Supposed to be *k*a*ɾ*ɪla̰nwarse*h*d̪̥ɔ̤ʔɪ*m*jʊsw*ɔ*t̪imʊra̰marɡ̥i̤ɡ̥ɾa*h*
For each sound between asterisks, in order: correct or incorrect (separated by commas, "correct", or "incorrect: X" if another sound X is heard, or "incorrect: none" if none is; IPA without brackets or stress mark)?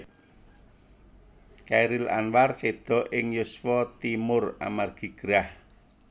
correct, correct, incorrect: none, incorrect: ŋ, correct, correct